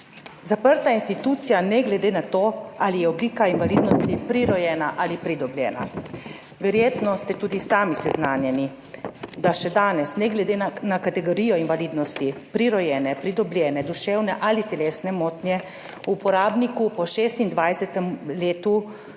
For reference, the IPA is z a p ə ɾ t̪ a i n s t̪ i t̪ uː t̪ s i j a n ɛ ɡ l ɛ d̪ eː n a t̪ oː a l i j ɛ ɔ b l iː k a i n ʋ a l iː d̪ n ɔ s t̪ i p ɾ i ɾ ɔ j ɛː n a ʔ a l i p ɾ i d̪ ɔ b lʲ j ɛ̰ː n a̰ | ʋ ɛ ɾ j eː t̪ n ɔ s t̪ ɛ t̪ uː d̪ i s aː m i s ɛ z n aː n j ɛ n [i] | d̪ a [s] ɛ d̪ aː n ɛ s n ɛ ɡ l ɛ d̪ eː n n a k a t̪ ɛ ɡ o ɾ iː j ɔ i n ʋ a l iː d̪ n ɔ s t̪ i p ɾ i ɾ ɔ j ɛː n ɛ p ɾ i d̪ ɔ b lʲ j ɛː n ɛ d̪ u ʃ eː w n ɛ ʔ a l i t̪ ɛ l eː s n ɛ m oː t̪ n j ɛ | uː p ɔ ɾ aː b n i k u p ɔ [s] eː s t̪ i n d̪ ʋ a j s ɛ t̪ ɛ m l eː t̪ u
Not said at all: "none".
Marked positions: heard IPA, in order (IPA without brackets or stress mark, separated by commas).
i, ʃ, ʃ